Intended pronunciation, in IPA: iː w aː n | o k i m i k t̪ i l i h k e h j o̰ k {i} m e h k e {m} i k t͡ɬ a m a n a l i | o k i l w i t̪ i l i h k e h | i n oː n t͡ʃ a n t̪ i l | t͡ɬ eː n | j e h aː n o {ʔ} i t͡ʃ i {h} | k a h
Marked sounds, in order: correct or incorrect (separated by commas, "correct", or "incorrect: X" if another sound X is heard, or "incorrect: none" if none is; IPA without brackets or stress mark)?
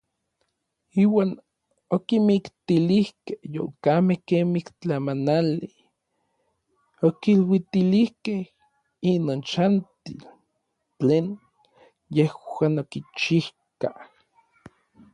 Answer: incorrect: a, correct, incorrect: k, correct